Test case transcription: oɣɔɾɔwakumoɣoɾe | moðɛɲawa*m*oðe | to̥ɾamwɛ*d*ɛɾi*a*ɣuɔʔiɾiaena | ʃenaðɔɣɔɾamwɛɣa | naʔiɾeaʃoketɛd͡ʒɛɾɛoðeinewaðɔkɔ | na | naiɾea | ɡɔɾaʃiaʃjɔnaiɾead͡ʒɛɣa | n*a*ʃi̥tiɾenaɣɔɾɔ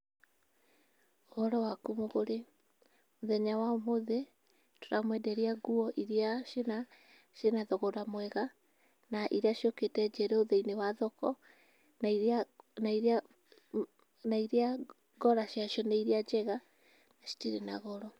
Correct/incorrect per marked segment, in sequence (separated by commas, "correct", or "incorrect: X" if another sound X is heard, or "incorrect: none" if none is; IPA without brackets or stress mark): correct, correct, correct, correct